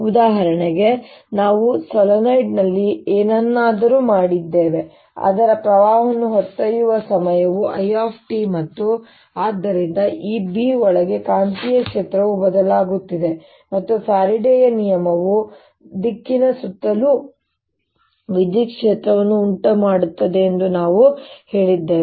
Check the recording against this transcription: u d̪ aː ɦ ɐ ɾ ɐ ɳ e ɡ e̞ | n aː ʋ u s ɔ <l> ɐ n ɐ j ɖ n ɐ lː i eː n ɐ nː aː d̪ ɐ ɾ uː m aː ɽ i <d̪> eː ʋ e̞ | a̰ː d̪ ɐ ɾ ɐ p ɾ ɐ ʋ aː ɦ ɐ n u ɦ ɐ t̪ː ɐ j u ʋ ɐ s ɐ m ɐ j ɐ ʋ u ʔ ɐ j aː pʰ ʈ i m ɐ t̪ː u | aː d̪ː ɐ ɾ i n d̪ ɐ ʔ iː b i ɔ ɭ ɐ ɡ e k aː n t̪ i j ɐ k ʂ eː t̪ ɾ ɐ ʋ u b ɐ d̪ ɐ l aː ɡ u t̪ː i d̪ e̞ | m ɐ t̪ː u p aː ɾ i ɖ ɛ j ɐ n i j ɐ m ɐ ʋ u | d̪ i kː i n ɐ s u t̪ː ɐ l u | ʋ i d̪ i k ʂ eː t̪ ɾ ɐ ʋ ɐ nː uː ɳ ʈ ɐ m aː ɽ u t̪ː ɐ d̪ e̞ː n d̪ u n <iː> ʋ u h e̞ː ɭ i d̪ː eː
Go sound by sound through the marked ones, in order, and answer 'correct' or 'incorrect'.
correct, incorrect: d̪ː, incorrect: aː

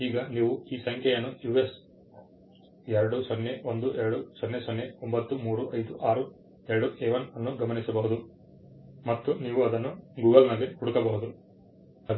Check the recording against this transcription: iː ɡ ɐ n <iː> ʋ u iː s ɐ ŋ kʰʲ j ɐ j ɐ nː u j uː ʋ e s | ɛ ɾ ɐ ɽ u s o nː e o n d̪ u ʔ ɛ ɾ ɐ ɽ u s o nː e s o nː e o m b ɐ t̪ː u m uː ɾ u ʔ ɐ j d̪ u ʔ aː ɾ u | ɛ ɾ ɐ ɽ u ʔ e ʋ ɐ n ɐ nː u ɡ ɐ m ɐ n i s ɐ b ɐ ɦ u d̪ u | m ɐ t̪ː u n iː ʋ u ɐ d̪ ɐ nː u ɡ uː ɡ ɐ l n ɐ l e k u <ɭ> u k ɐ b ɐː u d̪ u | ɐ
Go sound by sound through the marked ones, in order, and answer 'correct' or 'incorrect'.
correct, incorrect: ɽ

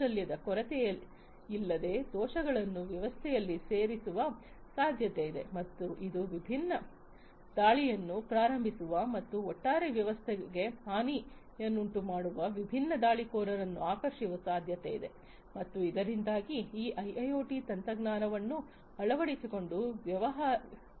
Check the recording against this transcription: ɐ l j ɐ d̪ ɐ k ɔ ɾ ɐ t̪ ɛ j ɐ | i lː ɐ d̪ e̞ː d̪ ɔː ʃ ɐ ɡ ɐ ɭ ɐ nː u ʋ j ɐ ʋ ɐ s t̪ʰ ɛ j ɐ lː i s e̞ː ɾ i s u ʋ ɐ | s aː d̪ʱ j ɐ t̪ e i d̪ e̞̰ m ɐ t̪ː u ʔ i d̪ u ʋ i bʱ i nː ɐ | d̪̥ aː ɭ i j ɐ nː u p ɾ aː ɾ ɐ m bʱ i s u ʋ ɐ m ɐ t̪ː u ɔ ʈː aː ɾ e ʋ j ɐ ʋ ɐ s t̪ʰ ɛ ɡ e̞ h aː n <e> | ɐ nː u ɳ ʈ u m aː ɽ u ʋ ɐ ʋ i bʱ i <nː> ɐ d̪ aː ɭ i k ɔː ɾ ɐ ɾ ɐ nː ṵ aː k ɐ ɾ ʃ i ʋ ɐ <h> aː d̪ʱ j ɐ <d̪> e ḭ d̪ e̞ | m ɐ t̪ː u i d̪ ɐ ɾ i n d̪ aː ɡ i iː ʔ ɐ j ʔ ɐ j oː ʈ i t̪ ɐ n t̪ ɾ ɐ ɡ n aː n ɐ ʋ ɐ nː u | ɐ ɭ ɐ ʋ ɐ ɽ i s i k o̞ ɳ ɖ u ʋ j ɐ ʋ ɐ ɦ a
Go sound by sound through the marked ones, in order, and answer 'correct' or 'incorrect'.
incorrect: i, correct, incorrect: s, incorrect: t̪

